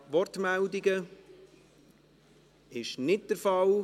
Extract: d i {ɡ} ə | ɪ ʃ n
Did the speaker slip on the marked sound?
no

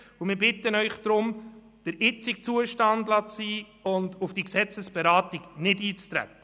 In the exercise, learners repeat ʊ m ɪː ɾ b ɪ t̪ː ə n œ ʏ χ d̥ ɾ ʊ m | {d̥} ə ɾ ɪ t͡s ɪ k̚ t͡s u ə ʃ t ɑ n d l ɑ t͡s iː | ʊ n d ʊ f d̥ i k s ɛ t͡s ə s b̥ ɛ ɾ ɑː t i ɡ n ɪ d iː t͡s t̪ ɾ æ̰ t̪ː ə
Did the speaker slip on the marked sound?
no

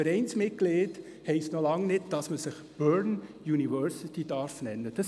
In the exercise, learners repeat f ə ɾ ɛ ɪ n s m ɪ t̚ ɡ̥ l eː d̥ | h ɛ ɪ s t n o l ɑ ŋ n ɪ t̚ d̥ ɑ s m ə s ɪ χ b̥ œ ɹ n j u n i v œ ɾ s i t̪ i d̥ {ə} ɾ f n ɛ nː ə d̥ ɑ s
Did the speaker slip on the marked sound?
yes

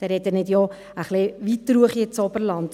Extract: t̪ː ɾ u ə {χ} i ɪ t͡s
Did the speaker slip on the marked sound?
no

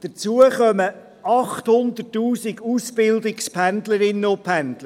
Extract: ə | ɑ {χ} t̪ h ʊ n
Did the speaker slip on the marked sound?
no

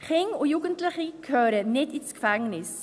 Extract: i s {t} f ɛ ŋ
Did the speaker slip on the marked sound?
yes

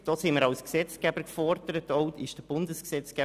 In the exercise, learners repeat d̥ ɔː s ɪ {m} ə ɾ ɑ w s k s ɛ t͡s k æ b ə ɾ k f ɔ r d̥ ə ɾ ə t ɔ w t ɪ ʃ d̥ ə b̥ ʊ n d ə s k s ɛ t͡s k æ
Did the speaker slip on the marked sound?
no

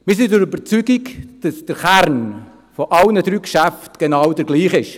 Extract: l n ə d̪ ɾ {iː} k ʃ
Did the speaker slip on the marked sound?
yes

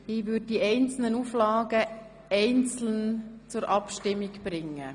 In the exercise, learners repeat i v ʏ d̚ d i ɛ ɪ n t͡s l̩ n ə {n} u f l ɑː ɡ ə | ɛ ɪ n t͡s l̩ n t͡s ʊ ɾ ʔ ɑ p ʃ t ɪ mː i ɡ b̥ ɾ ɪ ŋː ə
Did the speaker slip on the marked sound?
no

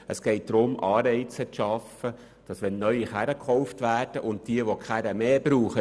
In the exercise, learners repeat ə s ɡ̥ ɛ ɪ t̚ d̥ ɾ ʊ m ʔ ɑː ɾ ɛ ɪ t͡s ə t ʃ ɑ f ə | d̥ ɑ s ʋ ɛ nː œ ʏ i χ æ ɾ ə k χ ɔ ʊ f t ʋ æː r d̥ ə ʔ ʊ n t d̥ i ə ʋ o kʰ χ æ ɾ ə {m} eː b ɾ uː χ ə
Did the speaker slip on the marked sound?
no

